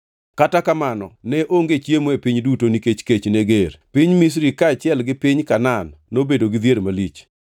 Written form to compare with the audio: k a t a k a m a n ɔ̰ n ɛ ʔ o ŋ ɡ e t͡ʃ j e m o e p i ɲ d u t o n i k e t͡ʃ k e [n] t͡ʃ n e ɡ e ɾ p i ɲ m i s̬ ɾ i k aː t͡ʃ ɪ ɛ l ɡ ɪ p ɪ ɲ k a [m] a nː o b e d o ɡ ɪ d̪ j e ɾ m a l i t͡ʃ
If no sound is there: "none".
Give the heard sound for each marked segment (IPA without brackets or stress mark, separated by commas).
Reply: none, n